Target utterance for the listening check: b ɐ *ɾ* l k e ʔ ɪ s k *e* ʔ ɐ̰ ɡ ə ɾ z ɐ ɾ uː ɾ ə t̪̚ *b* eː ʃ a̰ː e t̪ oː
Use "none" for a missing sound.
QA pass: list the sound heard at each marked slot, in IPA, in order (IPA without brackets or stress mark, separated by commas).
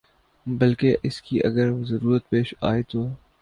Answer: none, i, p